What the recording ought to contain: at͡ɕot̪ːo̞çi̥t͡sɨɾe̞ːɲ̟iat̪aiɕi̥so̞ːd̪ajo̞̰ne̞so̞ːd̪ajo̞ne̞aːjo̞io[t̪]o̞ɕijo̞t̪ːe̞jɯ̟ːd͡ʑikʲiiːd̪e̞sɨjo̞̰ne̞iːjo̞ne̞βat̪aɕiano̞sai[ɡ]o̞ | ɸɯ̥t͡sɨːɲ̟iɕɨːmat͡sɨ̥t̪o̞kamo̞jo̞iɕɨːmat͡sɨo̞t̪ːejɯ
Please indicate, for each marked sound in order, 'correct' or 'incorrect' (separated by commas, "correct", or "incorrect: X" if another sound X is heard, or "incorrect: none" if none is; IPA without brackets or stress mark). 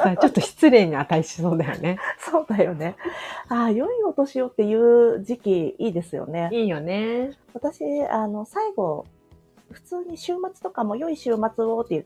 correct, correct